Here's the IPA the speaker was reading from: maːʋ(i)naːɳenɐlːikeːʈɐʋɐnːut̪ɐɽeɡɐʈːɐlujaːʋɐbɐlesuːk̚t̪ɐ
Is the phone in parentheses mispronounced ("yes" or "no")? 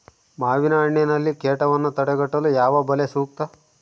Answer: no